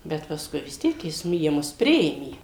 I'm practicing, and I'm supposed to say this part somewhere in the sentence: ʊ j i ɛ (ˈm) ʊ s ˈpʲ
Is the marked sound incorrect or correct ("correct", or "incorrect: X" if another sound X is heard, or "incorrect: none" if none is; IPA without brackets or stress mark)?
correct